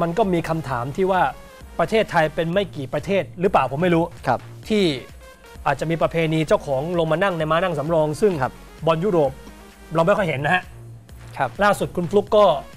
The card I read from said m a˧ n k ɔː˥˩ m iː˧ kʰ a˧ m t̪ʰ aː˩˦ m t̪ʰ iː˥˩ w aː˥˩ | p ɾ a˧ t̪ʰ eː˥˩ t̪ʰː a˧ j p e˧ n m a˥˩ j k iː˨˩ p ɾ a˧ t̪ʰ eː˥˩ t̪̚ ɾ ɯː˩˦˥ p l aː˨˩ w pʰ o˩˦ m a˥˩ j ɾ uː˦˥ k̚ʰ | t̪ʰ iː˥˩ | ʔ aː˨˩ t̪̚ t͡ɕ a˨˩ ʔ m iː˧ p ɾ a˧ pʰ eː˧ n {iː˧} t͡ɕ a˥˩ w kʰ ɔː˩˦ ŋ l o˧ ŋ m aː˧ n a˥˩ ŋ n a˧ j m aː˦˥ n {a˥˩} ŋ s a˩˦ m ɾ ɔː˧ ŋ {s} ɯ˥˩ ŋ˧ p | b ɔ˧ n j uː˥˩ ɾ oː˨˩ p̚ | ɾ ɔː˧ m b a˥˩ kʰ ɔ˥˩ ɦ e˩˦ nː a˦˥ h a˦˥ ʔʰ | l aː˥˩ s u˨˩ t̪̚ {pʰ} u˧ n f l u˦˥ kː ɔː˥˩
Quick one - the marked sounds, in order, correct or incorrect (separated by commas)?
correct, correct, correct, incorrect